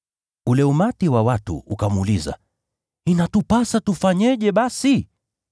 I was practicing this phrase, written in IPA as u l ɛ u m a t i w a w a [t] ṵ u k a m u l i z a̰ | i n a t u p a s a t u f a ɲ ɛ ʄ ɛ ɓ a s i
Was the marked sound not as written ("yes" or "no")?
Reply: no